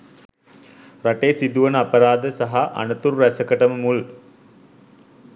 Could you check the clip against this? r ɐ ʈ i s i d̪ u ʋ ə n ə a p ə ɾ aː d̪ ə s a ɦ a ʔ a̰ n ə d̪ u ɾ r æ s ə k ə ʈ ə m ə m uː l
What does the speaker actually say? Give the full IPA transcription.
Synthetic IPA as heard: r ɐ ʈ e s i d̪ u ʋ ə n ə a p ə ɾ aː d̪ ə s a ɦ a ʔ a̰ n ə t̪ u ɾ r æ s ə k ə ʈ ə m ə m u l